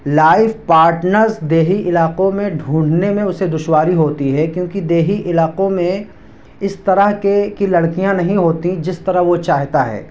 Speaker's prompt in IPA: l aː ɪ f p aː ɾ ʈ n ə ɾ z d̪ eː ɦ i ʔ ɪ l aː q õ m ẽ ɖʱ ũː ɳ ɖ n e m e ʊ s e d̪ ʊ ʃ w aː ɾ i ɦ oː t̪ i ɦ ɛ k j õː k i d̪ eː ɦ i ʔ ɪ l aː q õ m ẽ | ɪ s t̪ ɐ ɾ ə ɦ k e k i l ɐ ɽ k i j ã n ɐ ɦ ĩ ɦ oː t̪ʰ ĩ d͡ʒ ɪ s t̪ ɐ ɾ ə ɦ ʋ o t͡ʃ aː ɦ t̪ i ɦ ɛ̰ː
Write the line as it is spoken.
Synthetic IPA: l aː ɪ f p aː ɾ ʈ n ə ɾ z d̪ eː ɦ i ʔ ɪ l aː q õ m ẽ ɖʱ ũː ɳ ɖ n e m ẽ ʊ s e d̪ ʊ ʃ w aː ɾ i ɦ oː t̪ i ɦ ɛ k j õː k i d̪ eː ɦ i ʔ ɪ l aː q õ m ẽ | ɪ s t̪ ɐ ɾ ə ɦ k e k i l ɐ ɽ k i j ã n ɐ ɦ ĩ ɦ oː t̪ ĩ d͡ʒ ɪ s t̪ ɐ ɾ ə ɦ ʋ o t͡ʃ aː ɦ t̪ a ɦ ɛ̰ː